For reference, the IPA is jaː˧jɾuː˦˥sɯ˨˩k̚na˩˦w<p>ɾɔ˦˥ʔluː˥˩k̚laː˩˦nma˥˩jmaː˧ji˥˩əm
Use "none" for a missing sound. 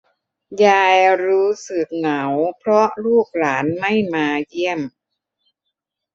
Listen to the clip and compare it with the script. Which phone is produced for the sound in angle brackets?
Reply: pʰ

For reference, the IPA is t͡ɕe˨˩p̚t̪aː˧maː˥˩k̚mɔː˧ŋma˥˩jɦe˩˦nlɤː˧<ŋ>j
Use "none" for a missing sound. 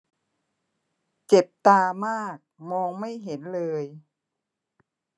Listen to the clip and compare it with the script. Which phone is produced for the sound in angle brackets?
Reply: none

